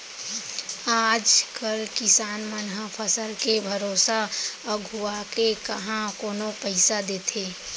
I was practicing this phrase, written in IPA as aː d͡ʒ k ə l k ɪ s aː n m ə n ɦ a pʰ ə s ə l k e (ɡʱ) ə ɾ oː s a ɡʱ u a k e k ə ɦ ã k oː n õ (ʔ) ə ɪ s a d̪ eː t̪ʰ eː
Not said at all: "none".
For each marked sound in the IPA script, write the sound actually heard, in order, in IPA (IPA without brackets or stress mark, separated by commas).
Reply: bʱ, p